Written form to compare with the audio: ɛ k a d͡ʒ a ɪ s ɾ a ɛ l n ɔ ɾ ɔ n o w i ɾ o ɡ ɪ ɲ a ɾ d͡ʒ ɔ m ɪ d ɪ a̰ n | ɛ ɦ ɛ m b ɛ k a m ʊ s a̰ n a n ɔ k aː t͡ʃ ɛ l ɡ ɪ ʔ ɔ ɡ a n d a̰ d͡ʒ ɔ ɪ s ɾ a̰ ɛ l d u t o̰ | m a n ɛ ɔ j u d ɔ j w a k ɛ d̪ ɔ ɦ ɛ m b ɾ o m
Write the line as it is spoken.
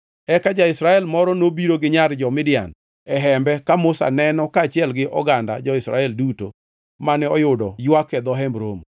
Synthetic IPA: ɛ k a d͡ʒ a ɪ s ɾ a ɛ l m ɔ ɾ ɔ n o b i ɾ o ɡ ɪ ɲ a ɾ d͡ʒ ɔ m ɪ d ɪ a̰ n | ɛ ɦ ɛ m b ɛ k a m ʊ s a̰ n ɛ n ɔ k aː t͡ʃ ɛ l ɡ ɪ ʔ ɔ ɡ a n d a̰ d͡ʒ ɔ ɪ s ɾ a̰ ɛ l d u t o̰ | m a n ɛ ɔ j ʊ d ɔ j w a k ɛ d̪ ɔ ɦ ɛ m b ɾ o m